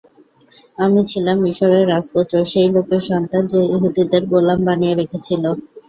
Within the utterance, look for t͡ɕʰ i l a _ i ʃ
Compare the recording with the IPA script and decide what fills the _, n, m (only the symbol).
m